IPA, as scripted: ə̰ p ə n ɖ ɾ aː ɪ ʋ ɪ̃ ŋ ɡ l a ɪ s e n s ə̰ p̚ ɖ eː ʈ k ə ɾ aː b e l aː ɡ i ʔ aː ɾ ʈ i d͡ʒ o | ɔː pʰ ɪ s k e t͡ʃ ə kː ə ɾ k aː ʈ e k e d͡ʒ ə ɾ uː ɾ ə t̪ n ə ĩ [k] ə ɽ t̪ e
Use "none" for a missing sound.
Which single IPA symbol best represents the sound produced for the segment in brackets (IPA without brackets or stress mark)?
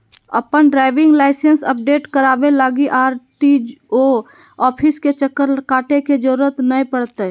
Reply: p